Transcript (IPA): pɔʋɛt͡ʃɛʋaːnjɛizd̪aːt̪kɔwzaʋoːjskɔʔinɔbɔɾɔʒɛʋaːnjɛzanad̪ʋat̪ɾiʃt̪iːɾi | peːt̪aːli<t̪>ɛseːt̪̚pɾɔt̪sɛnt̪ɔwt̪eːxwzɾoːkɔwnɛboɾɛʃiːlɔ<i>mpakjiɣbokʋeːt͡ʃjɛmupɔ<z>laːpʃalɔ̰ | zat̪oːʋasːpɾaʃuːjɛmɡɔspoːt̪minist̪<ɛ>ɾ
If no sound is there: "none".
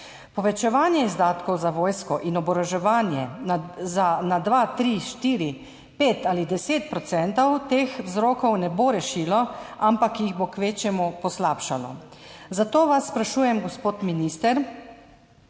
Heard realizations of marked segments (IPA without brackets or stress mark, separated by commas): d̪, a, s, ɛ